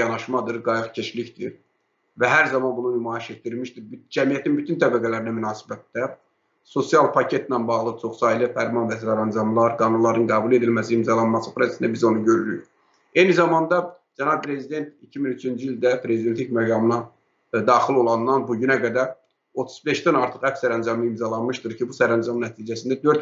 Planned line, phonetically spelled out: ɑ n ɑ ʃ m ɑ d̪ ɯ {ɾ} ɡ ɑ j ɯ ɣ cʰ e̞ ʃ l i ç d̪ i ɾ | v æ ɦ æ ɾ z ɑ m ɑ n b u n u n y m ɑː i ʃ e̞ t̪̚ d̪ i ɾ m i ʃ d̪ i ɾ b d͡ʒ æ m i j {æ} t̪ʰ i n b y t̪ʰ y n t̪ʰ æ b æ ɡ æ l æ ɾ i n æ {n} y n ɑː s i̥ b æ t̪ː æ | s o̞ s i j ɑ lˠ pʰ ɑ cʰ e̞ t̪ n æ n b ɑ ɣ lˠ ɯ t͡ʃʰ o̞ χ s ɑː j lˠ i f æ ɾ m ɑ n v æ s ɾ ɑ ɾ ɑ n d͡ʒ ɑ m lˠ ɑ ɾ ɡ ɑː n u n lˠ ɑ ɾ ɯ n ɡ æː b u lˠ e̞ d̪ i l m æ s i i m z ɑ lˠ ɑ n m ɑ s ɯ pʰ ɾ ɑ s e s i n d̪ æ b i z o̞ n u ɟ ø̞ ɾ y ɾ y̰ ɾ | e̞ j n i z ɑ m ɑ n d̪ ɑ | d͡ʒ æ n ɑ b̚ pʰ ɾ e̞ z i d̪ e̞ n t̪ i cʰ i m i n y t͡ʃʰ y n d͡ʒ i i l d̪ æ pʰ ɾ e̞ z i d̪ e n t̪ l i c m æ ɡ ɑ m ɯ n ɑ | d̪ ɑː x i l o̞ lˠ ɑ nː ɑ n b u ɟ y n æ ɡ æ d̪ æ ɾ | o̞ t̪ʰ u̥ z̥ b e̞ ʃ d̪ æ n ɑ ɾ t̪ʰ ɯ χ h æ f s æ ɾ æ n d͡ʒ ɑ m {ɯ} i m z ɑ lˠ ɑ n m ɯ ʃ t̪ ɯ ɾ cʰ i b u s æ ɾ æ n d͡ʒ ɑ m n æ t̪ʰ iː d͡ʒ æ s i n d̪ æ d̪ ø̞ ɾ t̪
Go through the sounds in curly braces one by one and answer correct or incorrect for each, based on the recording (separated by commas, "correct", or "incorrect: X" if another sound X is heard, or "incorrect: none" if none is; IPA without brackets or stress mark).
correct, correct, incorrect: m, correct